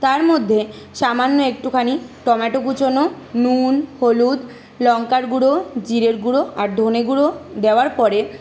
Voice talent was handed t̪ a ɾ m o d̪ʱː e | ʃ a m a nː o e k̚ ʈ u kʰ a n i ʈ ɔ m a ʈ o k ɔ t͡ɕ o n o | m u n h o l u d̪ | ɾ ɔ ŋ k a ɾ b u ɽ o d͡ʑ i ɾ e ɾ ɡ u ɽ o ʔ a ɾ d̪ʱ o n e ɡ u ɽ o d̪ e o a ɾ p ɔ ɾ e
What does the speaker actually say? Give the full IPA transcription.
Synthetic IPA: t̪ a ɾ m o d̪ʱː e | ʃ a m a nː o e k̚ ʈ u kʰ a n i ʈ ɔ m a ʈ o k u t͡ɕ o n o | n u n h o l u d̪ | l ɔ ŋ k a ɾ ɡ u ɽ o d͡ʑ i ɾ e ɾ ɡ u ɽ o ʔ a ɾ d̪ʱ o n e ɡ u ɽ o d̪ e o a ɾ p ɔ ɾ e